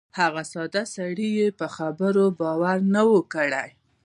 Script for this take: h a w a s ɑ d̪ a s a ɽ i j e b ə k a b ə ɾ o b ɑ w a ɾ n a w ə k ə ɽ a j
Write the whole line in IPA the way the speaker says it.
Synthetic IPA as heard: h a ɣ a s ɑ d̪ a s a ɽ i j e p ə x a b ə ɾ o b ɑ w a ɾ n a w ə k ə ɽ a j